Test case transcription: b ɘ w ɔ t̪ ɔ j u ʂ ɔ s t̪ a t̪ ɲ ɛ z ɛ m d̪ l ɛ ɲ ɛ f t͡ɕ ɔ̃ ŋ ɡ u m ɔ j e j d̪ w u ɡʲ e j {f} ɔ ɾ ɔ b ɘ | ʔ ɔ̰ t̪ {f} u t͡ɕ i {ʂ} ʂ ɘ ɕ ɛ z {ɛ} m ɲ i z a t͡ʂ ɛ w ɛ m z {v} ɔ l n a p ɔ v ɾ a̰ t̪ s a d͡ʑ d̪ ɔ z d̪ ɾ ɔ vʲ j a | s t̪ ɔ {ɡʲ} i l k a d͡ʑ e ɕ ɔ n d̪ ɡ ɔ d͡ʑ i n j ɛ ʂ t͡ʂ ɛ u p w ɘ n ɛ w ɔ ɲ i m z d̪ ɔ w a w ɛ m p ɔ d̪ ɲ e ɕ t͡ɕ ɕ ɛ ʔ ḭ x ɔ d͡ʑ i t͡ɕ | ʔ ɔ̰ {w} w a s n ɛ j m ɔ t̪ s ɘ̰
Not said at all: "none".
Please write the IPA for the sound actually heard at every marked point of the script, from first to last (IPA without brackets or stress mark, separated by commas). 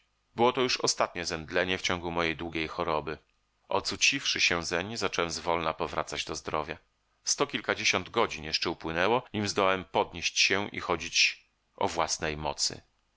x, s, f, ɛ, v, kʲ, v